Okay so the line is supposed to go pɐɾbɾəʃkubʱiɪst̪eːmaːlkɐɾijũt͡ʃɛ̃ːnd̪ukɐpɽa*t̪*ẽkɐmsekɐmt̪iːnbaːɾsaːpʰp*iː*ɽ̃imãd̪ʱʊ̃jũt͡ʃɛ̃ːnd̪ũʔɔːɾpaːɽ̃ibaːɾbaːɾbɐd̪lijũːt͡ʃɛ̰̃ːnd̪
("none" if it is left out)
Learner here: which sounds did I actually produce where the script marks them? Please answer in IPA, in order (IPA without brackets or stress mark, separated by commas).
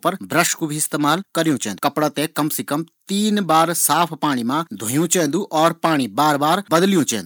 t̪, aː